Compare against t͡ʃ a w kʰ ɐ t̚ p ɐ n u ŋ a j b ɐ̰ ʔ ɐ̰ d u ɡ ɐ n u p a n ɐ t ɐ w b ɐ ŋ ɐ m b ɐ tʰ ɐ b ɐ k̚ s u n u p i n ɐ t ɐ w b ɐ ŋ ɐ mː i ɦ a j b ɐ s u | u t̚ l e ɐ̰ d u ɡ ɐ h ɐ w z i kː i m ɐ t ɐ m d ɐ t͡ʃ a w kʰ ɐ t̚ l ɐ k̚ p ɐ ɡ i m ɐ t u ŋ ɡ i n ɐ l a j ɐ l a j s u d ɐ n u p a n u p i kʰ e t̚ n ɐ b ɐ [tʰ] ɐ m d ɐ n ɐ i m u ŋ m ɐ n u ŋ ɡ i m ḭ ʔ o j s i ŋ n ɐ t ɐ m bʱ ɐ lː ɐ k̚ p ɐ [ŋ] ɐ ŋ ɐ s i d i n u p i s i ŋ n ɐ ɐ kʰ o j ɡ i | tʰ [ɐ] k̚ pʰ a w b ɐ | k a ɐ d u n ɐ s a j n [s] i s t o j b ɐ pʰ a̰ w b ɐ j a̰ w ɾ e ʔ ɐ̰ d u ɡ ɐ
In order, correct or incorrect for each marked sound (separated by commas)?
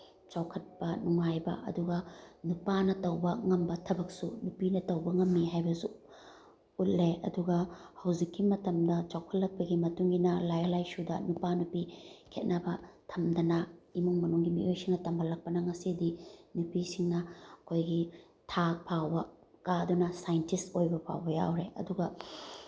correct, incorrect, incorrect, incorrect